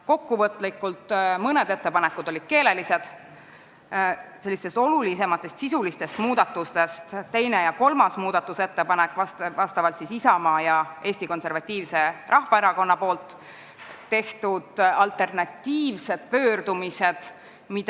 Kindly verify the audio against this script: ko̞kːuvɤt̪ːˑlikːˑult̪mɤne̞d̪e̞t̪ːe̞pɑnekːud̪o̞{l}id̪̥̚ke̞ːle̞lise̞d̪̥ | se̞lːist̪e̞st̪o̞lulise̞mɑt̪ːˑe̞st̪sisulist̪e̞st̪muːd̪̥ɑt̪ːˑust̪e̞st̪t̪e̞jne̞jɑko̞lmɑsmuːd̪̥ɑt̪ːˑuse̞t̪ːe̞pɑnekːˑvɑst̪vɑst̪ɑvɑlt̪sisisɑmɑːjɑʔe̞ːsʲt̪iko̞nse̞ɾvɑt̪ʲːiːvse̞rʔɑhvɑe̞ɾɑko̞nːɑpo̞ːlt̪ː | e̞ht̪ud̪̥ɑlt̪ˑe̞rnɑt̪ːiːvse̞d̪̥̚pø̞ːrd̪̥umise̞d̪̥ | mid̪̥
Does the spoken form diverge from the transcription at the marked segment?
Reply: no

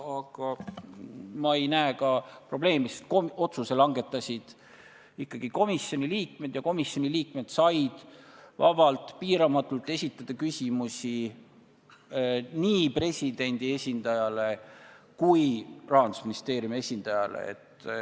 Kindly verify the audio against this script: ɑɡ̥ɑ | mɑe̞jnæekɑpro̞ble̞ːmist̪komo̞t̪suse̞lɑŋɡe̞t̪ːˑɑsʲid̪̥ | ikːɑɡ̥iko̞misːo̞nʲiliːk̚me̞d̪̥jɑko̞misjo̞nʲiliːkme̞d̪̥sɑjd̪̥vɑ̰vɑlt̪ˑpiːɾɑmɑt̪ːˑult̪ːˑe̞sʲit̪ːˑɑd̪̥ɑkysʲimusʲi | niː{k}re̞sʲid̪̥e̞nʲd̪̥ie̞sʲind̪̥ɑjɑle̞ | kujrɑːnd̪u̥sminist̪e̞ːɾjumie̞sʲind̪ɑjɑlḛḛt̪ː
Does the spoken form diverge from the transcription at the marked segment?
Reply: yes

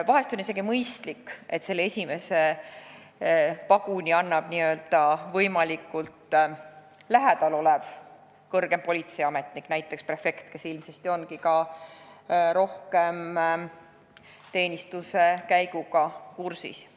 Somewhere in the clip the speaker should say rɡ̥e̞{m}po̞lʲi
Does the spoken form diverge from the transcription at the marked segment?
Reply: no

